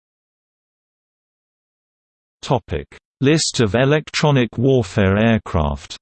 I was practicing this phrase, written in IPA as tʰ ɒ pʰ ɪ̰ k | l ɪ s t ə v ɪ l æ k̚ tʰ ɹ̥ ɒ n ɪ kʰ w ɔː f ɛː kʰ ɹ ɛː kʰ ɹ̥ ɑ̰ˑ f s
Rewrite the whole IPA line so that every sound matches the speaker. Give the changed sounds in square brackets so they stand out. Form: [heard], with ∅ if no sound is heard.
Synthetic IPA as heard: tʰ ɒ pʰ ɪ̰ k | l ɪ s t ə v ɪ l [ɛ] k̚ tʰ ɹ̥ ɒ n ɪ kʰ w ɔː f ɛː [∅] ɹ ɛː kʰ ɹ̥ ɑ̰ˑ f [t]